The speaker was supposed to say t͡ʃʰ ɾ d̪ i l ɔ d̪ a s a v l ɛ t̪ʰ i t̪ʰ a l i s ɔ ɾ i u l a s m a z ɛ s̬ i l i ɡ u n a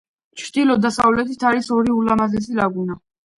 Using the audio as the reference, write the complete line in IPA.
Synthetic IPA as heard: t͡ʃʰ ɾ d̪ i l ɔ d̪ a s a v l ɛ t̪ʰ i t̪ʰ a ɾ i s ɔ ɾ i u l a m a z ɛ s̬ i l a ɡ u n a